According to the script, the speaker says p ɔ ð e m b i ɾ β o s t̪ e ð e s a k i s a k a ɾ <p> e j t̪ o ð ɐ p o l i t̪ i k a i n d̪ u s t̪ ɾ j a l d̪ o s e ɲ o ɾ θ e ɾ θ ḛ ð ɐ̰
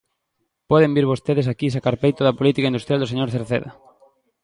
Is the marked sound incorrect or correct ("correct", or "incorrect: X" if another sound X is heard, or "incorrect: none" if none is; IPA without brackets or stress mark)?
correct